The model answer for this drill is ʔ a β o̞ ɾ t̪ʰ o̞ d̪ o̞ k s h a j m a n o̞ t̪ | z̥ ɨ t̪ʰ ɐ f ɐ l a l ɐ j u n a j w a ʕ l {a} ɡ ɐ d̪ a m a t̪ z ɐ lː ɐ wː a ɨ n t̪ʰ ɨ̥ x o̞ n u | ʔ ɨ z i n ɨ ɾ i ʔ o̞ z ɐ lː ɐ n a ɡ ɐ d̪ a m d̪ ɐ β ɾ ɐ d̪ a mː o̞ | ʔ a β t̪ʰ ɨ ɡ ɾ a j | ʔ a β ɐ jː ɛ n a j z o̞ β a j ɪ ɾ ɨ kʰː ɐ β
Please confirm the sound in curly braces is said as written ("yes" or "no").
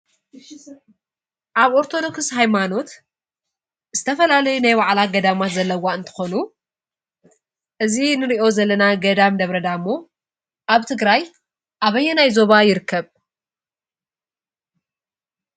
yes